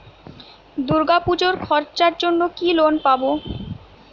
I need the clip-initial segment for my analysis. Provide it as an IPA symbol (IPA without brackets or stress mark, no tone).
d̪